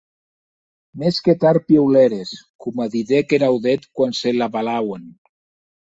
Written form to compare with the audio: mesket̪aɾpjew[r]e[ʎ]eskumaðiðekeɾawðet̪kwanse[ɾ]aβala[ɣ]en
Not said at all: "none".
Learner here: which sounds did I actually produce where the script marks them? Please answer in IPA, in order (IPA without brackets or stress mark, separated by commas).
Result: l, ɾ, l, w